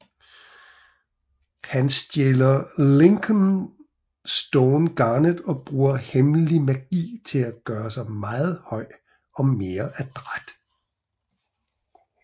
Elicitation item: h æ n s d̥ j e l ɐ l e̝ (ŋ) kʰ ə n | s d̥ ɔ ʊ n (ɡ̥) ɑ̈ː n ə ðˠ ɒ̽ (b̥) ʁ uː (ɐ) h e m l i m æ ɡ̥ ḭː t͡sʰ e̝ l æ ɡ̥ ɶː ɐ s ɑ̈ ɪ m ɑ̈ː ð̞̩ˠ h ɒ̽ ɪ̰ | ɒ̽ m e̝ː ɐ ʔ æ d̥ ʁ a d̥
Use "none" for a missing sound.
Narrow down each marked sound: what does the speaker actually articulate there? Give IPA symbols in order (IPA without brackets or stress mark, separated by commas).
ŋ, ɡ̥, b̥, ɐ